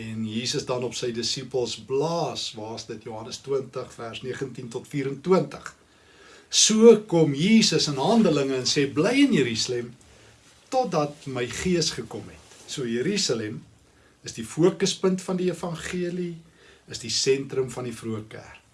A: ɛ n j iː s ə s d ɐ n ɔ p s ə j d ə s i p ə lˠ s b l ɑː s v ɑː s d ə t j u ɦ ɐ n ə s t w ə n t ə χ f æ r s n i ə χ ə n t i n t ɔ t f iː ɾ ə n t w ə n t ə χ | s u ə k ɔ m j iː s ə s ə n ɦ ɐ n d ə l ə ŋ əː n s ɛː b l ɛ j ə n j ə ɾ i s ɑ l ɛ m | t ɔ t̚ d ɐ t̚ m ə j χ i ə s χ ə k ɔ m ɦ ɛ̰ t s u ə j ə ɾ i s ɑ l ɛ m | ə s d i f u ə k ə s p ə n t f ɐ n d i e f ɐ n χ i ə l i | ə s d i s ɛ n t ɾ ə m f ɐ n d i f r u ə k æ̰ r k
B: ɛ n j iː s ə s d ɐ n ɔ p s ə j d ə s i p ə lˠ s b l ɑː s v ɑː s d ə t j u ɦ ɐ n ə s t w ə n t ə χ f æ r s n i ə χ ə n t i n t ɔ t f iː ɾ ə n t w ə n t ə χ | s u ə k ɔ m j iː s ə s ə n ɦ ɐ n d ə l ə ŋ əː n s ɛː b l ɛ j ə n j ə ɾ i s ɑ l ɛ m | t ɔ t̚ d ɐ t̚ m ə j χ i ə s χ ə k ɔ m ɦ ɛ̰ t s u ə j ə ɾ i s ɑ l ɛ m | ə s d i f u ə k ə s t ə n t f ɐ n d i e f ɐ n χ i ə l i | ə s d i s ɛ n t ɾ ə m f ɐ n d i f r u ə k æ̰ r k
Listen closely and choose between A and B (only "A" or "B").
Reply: A